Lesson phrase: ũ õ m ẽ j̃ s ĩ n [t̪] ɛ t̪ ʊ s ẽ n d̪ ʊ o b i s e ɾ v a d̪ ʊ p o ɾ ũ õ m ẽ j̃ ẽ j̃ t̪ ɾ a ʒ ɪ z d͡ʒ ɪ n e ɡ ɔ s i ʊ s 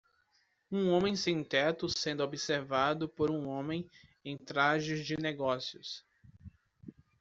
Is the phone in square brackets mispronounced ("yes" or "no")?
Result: no